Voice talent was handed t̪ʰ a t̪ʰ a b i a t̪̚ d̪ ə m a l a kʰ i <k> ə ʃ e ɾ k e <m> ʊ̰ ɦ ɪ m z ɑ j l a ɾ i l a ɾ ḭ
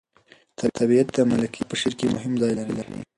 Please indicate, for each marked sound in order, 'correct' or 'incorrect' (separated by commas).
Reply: incorrect, correct